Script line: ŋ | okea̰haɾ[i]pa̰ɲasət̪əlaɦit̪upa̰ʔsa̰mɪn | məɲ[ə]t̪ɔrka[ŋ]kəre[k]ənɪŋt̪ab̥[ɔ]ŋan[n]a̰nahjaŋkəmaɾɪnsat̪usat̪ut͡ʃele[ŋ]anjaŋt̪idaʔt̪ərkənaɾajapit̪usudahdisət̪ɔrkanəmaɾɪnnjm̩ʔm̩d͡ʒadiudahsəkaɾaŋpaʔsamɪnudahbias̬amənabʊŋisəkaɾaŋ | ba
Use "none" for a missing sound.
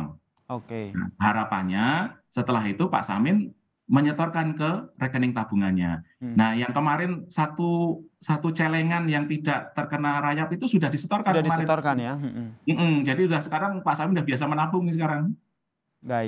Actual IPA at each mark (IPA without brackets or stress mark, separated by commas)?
a, ə, n, k, u, ɲ, ŋ